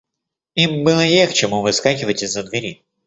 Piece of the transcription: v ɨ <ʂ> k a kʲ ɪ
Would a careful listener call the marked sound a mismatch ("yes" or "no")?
yes